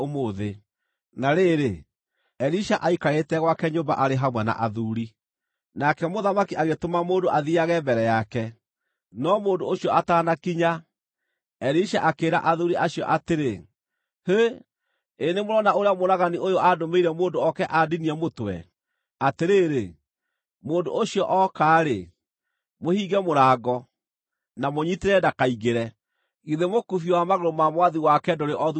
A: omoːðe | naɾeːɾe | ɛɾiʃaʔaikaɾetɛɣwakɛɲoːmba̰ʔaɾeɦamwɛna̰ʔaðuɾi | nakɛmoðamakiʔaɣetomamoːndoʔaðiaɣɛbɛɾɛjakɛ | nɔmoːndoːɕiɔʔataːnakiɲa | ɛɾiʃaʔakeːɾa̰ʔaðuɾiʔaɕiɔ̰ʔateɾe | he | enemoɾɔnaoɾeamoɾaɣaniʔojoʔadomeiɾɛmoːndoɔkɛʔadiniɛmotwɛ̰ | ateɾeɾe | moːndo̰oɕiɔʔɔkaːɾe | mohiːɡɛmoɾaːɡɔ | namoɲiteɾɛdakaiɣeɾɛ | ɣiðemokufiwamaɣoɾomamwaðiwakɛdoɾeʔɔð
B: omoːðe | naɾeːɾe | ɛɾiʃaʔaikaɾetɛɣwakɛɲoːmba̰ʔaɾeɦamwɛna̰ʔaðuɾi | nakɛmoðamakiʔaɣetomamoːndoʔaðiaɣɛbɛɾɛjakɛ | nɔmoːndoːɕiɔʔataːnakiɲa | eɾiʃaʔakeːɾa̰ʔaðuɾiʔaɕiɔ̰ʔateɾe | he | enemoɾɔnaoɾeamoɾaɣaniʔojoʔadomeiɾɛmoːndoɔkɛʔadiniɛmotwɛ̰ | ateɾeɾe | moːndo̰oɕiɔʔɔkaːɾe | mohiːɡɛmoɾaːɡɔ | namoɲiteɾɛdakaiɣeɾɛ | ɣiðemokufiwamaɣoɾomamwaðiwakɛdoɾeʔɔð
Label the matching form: A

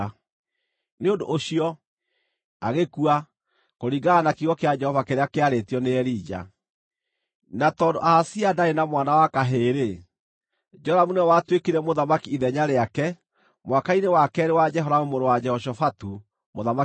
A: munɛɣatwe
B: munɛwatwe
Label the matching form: B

